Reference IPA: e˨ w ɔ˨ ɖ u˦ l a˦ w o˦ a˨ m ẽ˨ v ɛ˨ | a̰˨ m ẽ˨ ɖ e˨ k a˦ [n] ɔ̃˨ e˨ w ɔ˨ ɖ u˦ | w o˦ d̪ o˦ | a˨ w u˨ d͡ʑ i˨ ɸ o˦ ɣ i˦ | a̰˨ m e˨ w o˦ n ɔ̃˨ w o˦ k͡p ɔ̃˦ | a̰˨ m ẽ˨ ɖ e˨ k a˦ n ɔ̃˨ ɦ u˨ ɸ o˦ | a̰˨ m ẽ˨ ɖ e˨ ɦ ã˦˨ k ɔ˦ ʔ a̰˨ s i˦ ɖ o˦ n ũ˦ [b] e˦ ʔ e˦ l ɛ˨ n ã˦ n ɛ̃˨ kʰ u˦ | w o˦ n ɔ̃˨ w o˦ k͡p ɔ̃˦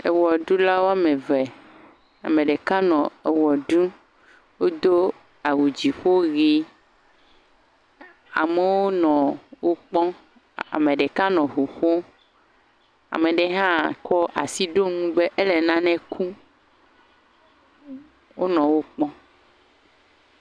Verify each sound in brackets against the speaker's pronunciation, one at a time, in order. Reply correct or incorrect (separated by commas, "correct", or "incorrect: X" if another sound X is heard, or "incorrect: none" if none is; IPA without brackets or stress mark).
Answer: correct, correct